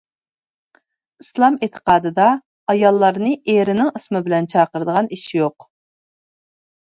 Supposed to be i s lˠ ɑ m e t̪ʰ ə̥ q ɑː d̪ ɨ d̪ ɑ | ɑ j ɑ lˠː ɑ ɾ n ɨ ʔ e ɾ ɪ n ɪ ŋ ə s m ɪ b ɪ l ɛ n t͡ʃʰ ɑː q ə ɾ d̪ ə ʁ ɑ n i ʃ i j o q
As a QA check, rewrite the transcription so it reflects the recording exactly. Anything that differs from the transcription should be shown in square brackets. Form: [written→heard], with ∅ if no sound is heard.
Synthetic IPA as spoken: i s lˠ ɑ m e t̪ʰ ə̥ q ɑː d̪ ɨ d̪ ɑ | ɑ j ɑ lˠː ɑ ɾ n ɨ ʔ e ɾ ɪ n ɪ ŋ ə s m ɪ b ɪ l ɛ n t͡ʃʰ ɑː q ə ɾ d̪ ə ʁ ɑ n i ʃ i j o q